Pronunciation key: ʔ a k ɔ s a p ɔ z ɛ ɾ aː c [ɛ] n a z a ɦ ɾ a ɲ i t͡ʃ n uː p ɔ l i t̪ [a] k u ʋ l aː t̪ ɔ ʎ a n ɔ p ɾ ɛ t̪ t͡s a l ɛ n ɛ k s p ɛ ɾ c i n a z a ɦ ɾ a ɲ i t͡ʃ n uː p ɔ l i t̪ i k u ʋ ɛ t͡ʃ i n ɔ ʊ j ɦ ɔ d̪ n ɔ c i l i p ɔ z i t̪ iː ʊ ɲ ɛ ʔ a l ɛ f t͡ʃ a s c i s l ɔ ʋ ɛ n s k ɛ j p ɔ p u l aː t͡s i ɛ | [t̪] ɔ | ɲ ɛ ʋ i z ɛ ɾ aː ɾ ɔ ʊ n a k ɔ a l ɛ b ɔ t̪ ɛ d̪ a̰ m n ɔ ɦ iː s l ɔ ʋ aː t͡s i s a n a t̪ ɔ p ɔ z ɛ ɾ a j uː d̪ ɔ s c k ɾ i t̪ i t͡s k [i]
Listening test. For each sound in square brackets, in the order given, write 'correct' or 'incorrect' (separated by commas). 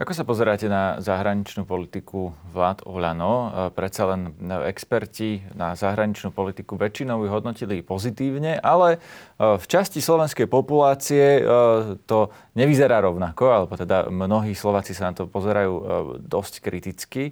correct, incorrect, correct, correct